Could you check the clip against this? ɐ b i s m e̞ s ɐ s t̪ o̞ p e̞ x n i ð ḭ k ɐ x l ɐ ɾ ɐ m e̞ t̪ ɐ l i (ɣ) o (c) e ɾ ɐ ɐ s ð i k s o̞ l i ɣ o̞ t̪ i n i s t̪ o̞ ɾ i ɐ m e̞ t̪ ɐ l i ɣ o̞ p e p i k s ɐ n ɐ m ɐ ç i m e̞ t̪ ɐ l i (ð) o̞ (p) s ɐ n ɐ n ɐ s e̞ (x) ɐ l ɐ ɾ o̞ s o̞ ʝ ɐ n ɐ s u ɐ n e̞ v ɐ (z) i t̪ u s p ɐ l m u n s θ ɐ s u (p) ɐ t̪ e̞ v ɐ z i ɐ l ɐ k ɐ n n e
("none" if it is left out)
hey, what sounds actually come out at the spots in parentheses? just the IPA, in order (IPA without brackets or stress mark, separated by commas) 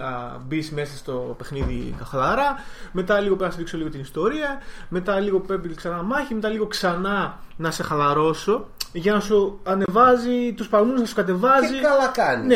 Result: ɣ, p, ɣ, k, x, z, k